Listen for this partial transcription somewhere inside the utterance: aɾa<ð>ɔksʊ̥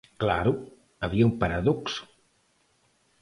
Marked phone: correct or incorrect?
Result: correct